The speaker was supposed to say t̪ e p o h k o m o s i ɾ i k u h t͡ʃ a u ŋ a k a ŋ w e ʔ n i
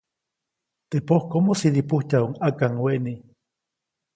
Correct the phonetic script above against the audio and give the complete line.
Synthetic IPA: t̪ e p o h k o m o s i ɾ i p u h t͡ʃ a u ŋ a k a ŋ w e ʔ n i